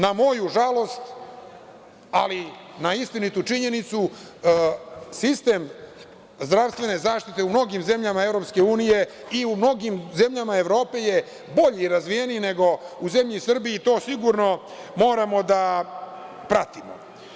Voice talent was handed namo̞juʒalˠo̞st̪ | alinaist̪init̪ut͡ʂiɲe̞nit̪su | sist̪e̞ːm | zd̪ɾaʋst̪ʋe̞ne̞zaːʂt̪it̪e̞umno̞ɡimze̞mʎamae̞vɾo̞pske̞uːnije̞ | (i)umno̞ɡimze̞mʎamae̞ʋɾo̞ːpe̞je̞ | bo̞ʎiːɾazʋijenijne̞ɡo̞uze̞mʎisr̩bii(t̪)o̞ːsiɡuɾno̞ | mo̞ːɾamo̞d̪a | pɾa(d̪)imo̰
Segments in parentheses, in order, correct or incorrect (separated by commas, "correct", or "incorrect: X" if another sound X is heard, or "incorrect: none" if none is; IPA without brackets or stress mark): correct, correct, incorrect: t̪